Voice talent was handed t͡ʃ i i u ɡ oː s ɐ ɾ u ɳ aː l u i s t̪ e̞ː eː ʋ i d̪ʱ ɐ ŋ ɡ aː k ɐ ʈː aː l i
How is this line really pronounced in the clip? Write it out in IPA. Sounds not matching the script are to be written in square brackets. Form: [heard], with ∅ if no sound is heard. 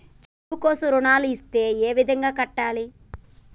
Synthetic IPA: t͡ʃ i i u [k] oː s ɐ ɾ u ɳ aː l u i s t̪ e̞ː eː ʋ i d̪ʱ ɐ ŋ ɡ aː k ɐ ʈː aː l i